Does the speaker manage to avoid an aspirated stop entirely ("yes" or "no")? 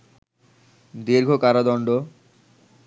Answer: yes